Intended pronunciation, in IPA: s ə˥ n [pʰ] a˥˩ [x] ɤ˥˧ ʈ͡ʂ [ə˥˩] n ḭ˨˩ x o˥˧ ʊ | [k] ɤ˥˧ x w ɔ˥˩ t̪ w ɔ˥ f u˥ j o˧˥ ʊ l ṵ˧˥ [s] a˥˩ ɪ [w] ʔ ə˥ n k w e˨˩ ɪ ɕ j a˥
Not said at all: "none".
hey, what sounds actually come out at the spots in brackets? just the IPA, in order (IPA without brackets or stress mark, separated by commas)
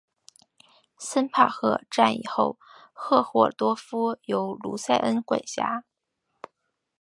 pʰ, x, a˥˩, x, s, none